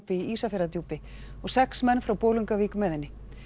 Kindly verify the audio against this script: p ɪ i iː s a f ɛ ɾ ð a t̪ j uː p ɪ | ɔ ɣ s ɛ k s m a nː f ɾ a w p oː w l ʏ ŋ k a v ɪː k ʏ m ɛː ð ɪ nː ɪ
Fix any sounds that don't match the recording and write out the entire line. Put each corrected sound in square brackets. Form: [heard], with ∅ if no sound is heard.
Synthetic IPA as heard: p ɪ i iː s a f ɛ ɾ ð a t̪ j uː p ɪ | ɔ ɣ s ɛ k s m [ɛ] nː f ɾ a w p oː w l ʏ ŋ k a v [iː] k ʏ m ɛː ð ɪ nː ɪ